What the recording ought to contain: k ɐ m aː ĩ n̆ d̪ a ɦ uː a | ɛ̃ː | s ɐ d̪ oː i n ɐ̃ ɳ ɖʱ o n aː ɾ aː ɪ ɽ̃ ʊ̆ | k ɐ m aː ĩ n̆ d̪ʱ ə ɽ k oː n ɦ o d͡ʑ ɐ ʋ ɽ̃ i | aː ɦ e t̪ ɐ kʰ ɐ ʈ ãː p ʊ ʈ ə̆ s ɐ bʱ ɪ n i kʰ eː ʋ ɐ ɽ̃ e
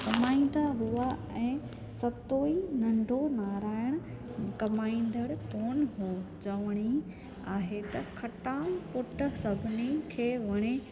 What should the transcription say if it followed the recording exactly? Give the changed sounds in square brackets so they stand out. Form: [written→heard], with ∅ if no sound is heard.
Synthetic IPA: k ɐ m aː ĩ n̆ d̪ a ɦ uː a | ɛ̃ː | s ɐ [d̪→t̪] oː i n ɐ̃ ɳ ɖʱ o n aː ɾ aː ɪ ɽ̃ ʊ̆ | k ɐ m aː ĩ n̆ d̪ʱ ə ɽ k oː n ɦ o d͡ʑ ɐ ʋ ɽ̃ i | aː ɦ e t̪ ɐ kʰ ɐ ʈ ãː p ʊ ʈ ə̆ s ɐ bʱ ɪ n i kʰ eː ʋ ɐ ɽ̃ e